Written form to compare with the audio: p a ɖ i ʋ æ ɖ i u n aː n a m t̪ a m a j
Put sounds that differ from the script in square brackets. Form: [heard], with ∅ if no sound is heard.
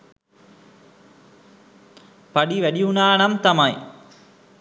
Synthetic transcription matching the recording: p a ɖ i ʋ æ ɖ i u n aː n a m t̪ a m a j